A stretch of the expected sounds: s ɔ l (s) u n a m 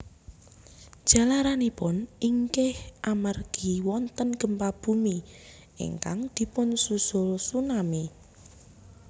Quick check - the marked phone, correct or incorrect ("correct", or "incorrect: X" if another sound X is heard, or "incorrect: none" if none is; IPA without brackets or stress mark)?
correct